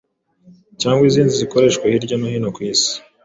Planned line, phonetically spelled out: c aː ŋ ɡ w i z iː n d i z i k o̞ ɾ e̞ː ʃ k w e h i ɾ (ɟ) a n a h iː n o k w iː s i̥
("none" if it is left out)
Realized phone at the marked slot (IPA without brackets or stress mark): ɟ